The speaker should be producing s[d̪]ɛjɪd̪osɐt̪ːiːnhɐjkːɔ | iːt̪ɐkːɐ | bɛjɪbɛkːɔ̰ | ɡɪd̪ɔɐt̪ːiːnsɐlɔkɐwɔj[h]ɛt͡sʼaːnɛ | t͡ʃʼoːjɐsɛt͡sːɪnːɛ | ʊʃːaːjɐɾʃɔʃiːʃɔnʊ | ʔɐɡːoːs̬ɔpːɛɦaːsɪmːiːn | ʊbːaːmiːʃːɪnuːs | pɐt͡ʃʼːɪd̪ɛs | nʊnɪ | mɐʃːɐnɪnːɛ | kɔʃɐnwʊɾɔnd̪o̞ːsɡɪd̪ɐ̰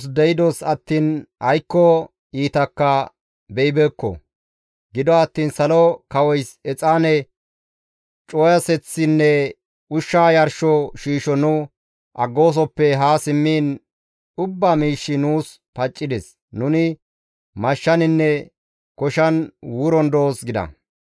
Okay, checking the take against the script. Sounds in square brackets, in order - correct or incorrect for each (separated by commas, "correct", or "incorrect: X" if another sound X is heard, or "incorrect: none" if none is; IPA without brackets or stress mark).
correct, incorrect: s